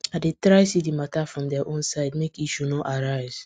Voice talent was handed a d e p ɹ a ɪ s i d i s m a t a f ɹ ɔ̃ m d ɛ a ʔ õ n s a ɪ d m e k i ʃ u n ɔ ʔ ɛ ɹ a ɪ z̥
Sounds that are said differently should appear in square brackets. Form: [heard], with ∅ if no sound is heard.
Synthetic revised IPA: a d e [t] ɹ a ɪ s i d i [∅] m a t a f ɹ ɔ̃ m d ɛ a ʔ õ n s a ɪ d m e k i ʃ u n ɔ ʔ [a] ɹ a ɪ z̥